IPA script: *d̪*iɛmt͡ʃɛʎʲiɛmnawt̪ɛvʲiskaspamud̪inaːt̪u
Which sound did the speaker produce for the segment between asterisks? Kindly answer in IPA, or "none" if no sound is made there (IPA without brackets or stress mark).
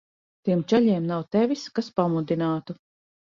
t̪